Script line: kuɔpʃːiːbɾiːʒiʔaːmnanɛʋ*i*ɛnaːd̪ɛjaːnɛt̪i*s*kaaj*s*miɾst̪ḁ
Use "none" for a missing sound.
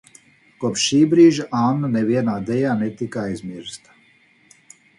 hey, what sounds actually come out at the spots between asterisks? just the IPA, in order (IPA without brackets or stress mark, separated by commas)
i, none, z